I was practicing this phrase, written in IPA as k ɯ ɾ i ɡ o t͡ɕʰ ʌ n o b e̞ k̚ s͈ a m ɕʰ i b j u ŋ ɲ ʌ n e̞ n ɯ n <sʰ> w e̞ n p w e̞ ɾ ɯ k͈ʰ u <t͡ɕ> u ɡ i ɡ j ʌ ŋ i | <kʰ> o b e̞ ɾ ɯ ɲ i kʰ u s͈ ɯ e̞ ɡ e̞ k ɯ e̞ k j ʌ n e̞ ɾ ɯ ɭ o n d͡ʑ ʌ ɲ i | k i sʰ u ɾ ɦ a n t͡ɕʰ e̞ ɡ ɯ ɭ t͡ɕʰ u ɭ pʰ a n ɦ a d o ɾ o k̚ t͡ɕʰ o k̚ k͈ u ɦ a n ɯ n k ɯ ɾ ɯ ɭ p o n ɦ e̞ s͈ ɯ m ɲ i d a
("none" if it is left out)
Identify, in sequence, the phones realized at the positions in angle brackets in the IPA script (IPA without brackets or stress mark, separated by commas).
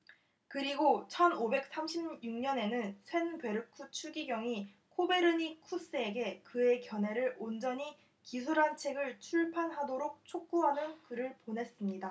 sʰ, t͡ɕʰ, kʰ